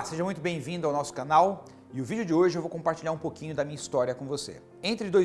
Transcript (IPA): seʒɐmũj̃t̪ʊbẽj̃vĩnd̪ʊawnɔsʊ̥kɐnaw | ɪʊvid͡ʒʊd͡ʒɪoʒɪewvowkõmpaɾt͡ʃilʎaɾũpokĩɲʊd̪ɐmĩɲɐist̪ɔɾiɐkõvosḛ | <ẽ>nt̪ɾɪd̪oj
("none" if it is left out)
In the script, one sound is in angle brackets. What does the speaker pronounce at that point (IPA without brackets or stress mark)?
ẽ